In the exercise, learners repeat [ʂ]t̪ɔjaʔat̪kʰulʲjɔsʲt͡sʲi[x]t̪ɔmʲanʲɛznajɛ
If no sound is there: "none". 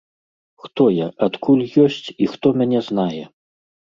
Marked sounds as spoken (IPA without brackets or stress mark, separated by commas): x, x